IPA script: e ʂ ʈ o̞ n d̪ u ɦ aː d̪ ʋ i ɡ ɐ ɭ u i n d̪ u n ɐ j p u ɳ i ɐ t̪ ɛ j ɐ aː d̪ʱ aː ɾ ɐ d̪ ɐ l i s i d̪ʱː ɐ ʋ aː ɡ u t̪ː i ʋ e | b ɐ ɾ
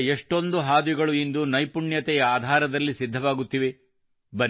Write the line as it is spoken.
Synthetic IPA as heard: e ʂ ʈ o̞ n d̪ u ɦ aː d̪ ʋ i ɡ ɐ ɭ u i n d̪ u n ɐ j p u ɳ j ɐ t̪ ɛ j ɐ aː d̪ʱ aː ɾ ɐ d̪ ɐ lː i s i d̪ʱː ɐ ʋ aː ɡ u t̪ː i ʋ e | b ɐ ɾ

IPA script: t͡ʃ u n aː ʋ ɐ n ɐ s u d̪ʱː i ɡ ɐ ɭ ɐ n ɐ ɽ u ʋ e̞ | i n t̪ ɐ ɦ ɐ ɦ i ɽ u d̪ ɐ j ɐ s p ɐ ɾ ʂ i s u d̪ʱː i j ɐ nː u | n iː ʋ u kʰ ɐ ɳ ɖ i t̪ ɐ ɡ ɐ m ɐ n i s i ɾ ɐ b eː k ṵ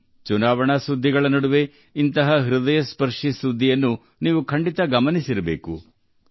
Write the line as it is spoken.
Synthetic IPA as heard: t͡ʃ u n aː ʋ ɐ ɳ ɐ s u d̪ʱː i ɡ ɐ ɭ ɐ n ɐ ɽ u ʋ e̞ | i n t̪ ɐ ɦ ɐ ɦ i ɾ u d̪ ɐ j ɐ s p ɐ ɾ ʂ i s u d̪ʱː i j ɐ nː u | n iː ʋ u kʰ ɐ ɳ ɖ i t̪ ɐ ɡ ɐ m ɐ n i s i ɾ ɐ b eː k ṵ

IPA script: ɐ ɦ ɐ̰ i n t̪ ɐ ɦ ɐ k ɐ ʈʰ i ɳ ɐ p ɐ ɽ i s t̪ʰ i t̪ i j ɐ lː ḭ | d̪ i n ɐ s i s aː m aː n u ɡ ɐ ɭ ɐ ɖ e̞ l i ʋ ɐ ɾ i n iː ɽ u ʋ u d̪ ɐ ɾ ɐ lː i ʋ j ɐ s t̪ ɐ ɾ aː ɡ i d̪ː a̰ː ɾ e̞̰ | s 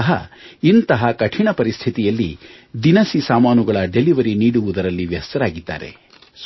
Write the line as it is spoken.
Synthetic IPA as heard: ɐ ɦ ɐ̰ i n t̪ ɐ ɦ ɐ k ɐ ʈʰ i ɳ ɐ p ɐ ɾ i s t̪ʰ i t̪ i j ɐ lː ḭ | d̪ i n ɐ s i s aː m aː n u ɡ ɐ ɭ ɐ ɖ e̞ l i ʋ ɐ ɾ i n iː ɽ u ʋ u d̪ ɐ ɾ ɐ lː i ʋ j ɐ s t̪ ɐ ɾ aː ɡ i d̪ː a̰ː ɾ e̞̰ | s

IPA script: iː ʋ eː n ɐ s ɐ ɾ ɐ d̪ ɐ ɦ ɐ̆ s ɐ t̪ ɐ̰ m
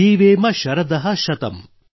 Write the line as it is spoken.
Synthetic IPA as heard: iː ʋ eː m ɐ ʃ ɐ ɾ ɐ d̪ ɐ ɦ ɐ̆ ʃ ɐ t̪ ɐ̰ m

